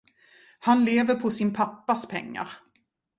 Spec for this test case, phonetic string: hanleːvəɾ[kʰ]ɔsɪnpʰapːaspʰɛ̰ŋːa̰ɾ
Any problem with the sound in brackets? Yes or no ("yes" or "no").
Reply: yes